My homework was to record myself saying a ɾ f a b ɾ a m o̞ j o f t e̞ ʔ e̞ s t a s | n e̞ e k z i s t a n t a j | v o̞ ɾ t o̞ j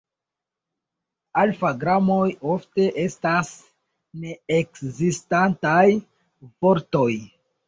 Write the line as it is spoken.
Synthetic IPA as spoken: a l f a ɡ ɾ a m o̞ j o f t e̞ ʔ e̞ s t a s | n e̞ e k z i s t a n t a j | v o̞ ɾ t o̞ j

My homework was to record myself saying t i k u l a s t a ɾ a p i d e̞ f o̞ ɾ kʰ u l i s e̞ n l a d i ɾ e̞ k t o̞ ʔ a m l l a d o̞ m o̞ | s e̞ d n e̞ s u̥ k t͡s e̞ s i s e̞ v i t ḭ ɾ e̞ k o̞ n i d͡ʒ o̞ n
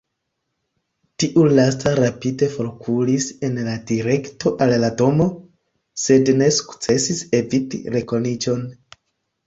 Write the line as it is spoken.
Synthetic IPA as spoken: t i ʔ u l a s t a ɾ a p i d e̞ f o̞ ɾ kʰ u l i s e̞ n l a d i ɾ e̞ k t o̞ ʔ a l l a d o̞ m o̞ | s e̞ d n e̞ s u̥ k t͡s e̞ s i s e̞ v i t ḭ ɾ e̞ k o̞ n i d͡ʒ o̞ n

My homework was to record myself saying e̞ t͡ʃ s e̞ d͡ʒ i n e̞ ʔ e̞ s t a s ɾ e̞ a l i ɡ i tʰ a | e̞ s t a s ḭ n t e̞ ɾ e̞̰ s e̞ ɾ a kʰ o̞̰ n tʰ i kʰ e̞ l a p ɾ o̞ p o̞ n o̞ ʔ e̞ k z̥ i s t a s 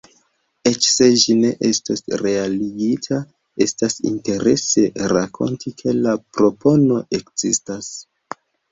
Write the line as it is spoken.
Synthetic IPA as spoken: e̞ t͡ʃ s e̞ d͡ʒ i n e̞ ʔ e̞ s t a s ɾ e̞ a l i ɡ i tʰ a | e̞ s t a s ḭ n t e̞ ɾ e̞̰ s e̞ ɾ a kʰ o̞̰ n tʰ i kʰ e̞ l a p ɾ o̞ p o̞ n o̞ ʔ e̞ k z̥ i s t a s

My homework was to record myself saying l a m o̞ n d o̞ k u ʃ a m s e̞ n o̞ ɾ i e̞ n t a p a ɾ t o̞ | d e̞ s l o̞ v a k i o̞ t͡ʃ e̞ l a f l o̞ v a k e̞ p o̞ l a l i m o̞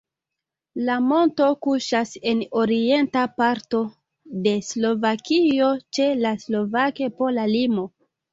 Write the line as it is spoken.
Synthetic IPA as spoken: l a m o̞ n t o̞ k u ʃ a s e̞ n o̞ ɾ i e̞ n t a p a ɾ t o̞ | d e̞ s l o̞ v a k i o̞ t͡ʃ e̞ l a s l o̞ v a k e̞ p o̞ l a l i m o̞

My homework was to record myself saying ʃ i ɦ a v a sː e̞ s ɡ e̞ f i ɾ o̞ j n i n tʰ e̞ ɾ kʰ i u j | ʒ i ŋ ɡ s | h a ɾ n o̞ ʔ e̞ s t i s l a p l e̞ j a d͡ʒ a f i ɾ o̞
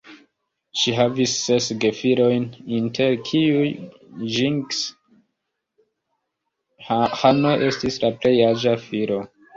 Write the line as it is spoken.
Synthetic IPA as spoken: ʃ i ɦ a v i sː e̞ s ɡ e̞ f i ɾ o̞ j n i n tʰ e̞ ɾ kʰ i u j | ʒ i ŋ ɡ s | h a n o̞ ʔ e̞ s t i s l a p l e̞ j a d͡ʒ a f i ɾ o̞

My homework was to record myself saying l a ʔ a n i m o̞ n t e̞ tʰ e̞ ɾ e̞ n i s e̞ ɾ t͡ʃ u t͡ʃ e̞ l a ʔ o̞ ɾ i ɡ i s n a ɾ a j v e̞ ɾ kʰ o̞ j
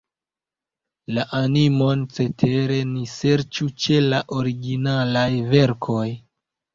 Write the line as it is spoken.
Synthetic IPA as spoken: l a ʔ a n i m o̞ n t͡s e̞ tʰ e̞ ɾ e̞ n i s e̞ ɾ t͡ʃ u t͡ʃ e̞ l a ʔ o̞ ɾ i ɡ i n a l a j v e̞ ɾ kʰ o̞ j

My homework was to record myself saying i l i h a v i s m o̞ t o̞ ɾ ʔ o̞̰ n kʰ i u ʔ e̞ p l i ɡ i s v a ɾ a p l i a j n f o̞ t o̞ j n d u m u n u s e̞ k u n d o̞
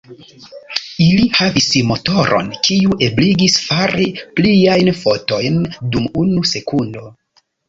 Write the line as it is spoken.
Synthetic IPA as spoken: i l i h a v i s m o̞ t o̞ ɾ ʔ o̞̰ n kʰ i u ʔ e̞ b l i ɡ i s f a ɾ i p l i a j n f o̞ t o̞ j n d u m u n u s e̞ k u n d o̞

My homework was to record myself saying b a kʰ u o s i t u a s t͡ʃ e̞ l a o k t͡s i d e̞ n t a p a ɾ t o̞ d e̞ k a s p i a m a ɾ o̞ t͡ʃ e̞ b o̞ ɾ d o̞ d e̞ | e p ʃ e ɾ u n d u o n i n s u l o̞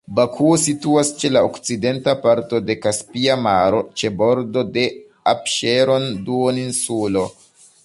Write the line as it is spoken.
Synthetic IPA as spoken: b a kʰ u o s i t u a s t͡ʃ e̞ l a o k t͡s i d e̞ n t a p a ɾ t o̞ d e̞ k a s p i a m a ɾ o̞ t͡ʃ e̞ b o̞ ɾ d o̞ d e̞ | a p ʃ e ɾ o n d u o n i n s u l o̞

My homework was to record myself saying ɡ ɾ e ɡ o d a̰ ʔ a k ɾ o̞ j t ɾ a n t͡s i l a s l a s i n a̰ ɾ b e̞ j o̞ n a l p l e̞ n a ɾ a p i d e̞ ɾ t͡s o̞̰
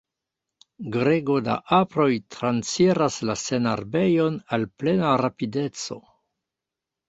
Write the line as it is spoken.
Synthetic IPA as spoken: ɡ ɾ e ɡ o d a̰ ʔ a p ɾ o̞ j t ɾ a n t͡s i ɾ a s l a s e n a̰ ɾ b e̞ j o̞ n a l p l e̞ n a ɾ a p i d e̞ t͡s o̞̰

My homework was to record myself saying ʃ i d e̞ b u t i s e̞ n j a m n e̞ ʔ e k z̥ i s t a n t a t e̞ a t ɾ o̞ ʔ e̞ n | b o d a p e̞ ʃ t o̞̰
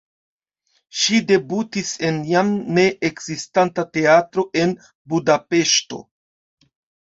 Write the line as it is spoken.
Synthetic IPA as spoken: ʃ i d e̞ b u t i s e̞ n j a m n e̞ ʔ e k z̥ i s t a n t a t e̞ a t ɾ o̞ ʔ e̞ n | b u d a p e̞ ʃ t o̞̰

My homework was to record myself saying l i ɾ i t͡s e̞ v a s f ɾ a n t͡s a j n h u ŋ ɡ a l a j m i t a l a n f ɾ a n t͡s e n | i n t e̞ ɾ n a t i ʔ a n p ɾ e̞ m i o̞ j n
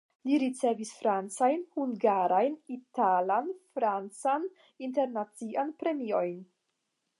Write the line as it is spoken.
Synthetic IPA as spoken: l i ɾ i t͡s e̞ v i s f ɾ a n t͡s a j n h u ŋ ɡ a ɾ a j n i t a l a n f ɾ a n t͡s a n | i n t e̞ ɾ n a t͡s i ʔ a n p ɾ e̞ m i o̞ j n

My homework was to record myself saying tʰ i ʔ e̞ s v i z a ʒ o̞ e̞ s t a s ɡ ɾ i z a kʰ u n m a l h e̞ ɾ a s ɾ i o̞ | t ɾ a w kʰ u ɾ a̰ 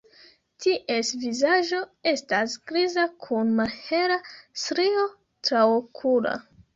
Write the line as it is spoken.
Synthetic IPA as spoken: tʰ i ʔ e̞ s v i z a ʒ o̞ e̞ s t a s ɡ ɾ i z a kʰ u n m a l h e̞ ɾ a s ɾ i o̞ | t ɾ a w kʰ u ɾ a̰

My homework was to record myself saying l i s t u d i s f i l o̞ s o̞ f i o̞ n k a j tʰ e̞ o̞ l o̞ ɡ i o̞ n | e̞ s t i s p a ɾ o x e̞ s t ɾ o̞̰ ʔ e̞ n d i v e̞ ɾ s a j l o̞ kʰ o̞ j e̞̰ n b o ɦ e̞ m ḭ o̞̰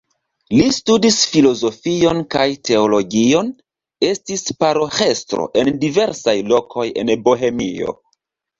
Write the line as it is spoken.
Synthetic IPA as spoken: l i s t u d i s f i l o̞ z o̞ f i o̞ n k a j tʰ e̞ o̞ l o̞ ɡ i o̞ n | e̞ s t i s p a ɾ o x e̞ s t ɾ o̞̰ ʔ e̞ n d i v e̞ ɾ s a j l o̞ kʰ o̞ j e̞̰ n b o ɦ e̞ m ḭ o̞̰

